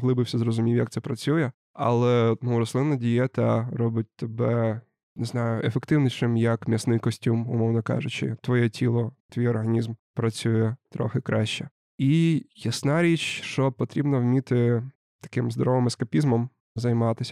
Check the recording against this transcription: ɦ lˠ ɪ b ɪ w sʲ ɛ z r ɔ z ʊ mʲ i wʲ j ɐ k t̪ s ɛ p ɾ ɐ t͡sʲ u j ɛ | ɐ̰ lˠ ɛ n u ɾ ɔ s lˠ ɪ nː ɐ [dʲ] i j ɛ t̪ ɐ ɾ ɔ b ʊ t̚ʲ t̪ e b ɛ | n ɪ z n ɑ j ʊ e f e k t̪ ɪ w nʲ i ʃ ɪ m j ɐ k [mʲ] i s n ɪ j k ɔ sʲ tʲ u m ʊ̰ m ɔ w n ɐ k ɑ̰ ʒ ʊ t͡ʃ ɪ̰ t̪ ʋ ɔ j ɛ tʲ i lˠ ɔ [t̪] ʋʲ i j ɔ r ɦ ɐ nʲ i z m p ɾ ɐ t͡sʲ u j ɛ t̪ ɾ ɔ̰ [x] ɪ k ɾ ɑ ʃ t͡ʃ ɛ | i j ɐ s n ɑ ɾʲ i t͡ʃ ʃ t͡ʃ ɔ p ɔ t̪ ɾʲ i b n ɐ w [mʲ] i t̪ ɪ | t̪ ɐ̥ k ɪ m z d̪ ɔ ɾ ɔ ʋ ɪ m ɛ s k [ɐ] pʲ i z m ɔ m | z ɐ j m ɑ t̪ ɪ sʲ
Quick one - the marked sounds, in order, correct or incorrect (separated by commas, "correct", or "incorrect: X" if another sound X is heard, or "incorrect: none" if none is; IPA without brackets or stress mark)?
correct, correct, correct, correct, correct, correct